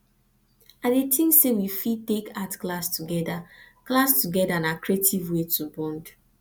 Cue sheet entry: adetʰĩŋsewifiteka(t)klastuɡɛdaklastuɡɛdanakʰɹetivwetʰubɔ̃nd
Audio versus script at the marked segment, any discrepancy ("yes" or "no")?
no